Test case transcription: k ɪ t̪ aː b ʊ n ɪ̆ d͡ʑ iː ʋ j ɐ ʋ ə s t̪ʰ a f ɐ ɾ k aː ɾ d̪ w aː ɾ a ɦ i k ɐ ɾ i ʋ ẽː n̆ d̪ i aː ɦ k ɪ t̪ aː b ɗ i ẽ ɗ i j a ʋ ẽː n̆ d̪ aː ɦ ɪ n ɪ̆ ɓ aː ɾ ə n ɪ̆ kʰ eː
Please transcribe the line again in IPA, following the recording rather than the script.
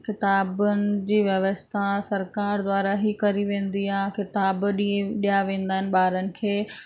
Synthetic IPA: k ɪ t̪ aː b ʊ n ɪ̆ d͡ʑ iː ʋ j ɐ ʋ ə s t̪ʰ a s ɐ ɾ k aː ɾ d̪ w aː ɾ a ɦ i k ɐ ɾ i ʋ ẽː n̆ d̪ i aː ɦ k ɪ t̪ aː b ɗ i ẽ ɗ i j a ʋ ẽː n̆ d̪ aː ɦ ɪ n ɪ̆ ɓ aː ɾ ə n ɪ̆ kʰ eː